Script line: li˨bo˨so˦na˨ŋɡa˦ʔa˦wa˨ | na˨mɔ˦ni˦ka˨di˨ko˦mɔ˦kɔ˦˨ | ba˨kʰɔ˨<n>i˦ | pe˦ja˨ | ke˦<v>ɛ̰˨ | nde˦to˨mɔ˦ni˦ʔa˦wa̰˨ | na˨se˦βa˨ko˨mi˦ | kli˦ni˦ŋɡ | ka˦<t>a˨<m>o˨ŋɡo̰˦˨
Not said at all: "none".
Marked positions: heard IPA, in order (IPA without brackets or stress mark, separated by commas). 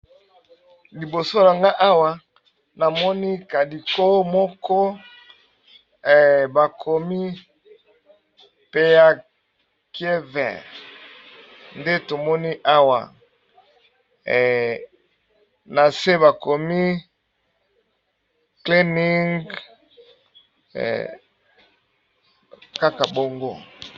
m, v, k, b